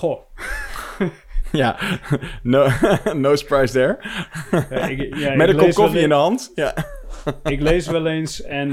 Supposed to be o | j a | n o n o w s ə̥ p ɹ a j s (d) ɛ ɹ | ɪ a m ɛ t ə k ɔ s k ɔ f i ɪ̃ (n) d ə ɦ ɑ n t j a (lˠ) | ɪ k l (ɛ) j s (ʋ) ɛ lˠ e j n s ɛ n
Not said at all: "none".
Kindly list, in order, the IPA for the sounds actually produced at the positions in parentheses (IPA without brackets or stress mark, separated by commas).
d, n, none, e, ʋ